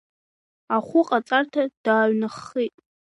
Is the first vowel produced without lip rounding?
yes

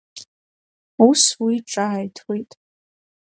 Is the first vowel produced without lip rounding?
no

